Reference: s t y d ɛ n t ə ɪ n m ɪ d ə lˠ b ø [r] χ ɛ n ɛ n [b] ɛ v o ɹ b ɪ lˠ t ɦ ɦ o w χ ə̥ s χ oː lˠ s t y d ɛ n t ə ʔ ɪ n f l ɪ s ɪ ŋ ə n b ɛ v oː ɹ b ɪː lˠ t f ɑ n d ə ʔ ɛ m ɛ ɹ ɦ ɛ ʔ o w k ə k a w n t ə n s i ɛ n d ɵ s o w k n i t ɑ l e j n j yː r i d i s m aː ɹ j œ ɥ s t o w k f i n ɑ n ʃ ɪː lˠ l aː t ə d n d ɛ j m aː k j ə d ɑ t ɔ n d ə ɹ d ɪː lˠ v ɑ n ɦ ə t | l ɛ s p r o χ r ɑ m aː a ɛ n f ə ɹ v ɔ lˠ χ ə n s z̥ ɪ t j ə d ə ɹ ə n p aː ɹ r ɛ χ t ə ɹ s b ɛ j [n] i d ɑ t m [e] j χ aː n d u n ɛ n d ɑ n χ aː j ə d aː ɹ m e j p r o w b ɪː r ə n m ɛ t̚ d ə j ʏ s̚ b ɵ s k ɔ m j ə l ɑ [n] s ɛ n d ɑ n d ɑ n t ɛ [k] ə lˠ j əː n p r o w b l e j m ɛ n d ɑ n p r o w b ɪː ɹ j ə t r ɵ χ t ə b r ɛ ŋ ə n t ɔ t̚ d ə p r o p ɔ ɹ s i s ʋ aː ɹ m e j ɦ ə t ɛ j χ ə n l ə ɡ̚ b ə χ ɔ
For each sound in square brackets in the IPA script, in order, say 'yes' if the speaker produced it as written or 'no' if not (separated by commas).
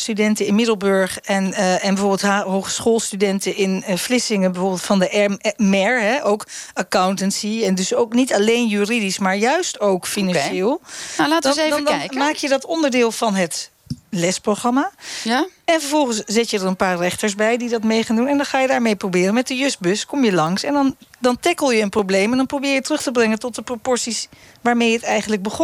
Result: no, yes, no, yes, no, yes